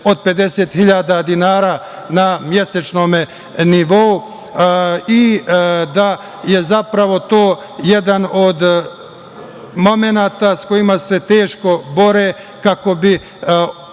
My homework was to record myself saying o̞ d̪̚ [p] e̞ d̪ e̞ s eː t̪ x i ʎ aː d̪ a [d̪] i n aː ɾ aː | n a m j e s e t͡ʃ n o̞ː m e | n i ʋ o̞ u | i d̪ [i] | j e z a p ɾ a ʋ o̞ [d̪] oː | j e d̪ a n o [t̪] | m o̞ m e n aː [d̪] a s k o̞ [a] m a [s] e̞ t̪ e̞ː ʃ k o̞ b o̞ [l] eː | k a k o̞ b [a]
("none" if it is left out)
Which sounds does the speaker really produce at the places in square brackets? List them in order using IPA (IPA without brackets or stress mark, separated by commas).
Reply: p, d̪, a, t̪, d̪, t̪, i, s, ɾ, i